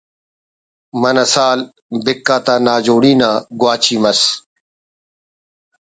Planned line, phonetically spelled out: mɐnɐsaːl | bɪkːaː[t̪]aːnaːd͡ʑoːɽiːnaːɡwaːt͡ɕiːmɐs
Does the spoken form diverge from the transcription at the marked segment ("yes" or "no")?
no